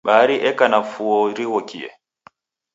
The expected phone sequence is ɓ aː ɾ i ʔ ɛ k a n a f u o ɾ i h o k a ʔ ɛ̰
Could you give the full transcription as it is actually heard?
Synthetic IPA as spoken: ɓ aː ɾ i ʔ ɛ k a n a f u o ɾ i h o k i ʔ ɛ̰